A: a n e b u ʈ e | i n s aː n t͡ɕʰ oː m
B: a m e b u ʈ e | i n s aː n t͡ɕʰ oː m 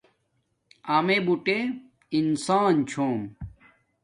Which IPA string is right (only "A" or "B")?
B